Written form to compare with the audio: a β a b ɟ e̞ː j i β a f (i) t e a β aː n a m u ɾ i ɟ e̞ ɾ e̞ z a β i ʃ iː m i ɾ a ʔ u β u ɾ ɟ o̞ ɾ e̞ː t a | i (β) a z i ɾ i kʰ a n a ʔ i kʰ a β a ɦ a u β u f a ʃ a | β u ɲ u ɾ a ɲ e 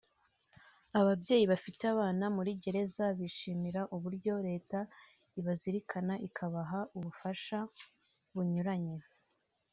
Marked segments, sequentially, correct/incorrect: correct, correct

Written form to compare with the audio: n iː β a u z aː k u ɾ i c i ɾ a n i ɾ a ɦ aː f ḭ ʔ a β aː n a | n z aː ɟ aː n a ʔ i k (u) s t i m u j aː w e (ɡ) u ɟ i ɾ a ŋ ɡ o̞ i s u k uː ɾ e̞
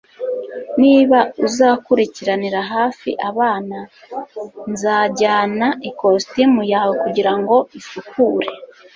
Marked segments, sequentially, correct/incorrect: incorrect, incorrect

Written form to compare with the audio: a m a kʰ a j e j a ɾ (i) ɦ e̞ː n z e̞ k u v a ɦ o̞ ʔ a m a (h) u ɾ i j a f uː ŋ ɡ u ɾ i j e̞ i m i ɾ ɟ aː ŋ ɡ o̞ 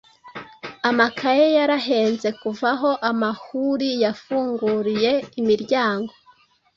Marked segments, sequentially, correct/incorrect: incorrect, correct

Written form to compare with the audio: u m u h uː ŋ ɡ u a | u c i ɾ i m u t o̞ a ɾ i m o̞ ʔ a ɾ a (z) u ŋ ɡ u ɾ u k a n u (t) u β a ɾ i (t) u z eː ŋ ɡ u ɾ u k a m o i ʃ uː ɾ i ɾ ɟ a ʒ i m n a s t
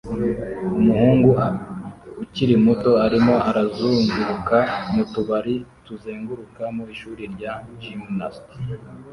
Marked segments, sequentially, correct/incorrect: correct, correct, correct

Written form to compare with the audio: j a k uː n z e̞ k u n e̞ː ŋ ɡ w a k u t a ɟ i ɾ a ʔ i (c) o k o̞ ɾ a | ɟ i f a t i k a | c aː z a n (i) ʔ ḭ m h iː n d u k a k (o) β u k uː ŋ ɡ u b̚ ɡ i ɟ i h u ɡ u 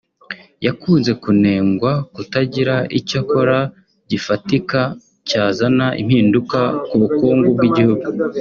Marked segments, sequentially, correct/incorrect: correct, incorrect, incorrect

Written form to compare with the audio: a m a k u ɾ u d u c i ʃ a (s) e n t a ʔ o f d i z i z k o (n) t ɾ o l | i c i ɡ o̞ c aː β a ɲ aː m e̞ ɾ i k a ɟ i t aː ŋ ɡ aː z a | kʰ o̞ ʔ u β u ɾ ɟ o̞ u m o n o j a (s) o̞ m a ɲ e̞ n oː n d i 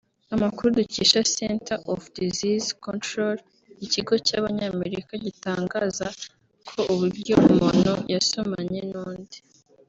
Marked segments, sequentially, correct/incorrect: correct, correct, correct

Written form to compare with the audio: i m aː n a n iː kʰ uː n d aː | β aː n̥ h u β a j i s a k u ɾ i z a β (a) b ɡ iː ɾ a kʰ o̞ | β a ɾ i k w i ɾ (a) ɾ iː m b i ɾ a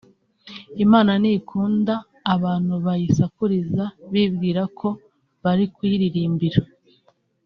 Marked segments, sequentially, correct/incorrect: incorrect, incorrect

